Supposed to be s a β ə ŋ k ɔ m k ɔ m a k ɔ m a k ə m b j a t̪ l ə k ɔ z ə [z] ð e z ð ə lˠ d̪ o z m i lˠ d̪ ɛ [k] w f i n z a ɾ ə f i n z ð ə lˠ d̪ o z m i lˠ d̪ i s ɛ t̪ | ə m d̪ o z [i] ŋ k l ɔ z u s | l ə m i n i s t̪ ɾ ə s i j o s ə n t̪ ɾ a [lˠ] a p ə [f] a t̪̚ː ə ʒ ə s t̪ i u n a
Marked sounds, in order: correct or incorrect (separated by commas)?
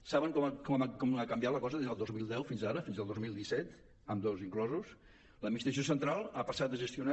incorrect, incorrect, correct, correct, incorrect